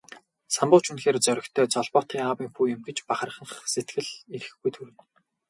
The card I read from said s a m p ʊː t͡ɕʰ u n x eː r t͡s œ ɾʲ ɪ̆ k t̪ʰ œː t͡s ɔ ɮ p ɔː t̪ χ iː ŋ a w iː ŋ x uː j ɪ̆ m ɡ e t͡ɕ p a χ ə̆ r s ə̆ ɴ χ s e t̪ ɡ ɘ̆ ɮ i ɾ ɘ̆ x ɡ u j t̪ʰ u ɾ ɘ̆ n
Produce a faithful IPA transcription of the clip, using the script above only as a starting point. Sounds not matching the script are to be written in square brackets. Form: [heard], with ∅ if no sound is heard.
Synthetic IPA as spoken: s a m p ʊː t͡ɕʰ u n x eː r t͡s œ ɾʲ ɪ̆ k t̪ʰ œː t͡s ɔ ɮ p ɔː t̪ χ iː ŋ a w iː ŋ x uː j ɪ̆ m ɡ e t͡ɕ p a χ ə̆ r [χ] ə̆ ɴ χ s e t̪ ɡ ɘ̆ ɮ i ɾ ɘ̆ x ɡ u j t̪ʰ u ɾ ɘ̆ n